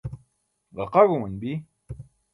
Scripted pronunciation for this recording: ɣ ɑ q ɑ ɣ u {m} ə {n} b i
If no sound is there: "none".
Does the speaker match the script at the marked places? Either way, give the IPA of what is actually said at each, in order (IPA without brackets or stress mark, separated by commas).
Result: m, n